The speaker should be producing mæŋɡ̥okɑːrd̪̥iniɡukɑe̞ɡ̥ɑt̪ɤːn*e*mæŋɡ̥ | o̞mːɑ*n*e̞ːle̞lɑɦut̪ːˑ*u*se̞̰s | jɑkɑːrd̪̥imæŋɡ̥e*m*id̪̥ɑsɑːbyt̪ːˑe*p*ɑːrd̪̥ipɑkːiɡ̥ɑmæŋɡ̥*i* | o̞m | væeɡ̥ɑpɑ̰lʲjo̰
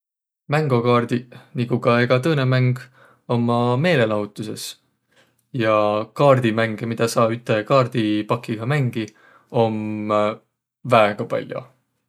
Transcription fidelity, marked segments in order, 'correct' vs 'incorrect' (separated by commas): correct, incorrect, correct, correct, incorrect, correct